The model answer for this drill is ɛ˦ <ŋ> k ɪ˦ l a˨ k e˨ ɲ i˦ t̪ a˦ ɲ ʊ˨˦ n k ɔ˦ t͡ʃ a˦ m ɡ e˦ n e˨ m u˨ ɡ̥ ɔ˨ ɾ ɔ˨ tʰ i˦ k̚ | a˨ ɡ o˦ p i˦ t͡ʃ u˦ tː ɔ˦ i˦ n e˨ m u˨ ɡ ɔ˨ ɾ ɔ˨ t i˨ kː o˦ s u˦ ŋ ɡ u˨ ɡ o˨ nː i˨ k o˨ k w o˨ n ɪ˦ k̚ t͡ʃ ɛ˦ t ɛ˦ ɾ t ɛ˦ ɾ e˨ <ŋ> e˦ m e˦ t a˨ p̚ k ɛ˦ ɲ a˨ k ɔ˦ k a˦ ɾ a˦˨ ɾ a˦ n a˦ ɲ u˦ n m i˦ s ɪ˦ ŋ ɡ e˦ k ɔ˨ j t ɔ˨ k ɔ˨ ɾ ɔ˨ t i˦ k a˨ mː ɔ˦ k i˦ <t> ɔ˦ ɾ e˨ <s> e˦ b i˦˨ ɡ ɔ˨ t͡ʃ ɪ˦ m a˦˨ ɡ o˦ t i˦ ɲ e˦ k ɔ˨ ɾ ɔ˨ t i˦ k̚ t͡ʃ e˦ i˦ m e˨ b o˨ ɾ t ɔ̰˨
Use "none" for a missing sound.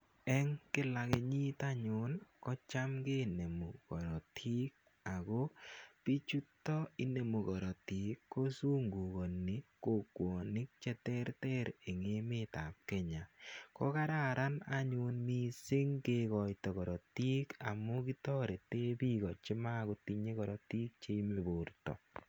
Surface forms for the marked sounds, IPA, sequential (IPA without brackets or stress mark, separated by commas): ŋ, ŋ, t, t